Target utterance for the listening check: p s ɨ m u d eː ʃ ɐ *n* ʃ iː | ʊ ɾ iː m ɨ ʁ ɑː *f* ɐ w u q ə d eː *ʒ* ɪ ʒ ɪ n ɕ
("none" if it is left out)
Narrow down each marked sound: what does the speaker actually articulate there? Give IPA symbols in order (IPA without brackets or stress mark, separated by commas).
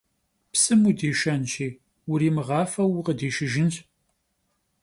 n, f, ʃ